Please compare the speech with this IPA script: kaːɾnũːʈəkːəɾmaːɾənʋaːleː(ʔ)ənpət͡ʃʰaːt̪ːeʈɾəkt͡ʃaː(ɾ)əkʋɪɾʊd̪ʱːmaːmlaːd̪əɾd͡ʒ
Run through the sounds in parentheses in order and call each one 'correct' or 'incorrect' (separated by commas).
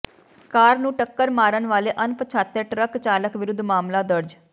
correct, incorrect